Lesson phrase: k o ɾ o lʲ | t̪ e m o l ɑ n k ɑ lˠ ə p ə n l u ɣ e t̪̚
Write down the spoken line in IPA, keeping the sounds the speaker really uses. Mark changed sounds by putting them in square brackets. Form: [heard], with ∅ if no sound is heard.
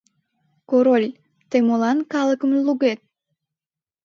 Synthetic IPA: k o ɾ o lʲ | t̪ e m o l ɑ n k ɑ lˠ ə [k] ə [m] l u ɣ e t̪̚